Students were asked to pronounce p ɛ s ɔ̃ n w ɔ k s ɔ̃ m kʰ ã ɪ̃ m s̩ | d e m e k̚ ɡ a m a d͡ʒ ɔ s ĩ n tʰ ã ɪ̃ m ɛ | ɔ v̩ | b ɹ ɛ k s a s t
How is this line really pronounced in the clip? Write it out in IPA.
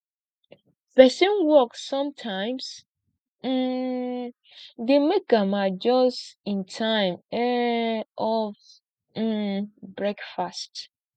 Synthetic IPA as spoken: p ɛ s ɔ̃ n w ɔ k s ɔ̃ m tʰ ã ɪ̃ m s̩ | d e m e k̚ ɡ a m a d͡ʒ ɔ s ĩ n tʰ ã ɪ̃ m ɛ | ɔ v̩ | b ɹ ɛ k f a s t